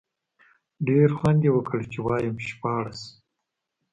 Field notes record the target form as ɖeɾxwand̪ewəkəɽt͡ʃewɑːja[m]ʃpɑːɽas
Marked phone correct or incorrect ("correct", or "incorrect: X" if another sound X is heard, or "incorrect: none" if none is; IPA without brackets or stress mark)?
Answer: correct